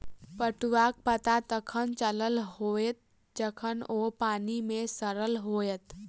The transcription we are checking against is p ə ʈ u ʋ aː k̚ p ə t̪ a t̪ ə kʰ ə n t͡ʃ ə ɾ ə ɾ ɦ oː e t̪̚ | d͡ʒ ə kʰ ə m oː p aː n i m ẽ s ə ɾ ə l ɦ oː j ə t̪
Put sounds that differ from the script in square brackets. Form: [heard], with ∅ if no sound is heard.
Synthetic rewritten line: p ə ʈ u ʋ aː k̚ p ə t̪ a t̪ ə kʰ ə n t͡ʃ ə [l] ə [l] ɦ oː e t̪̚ | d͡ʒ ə kʰ ə [n] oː p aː n i m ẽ s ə ɾ ə l ɦ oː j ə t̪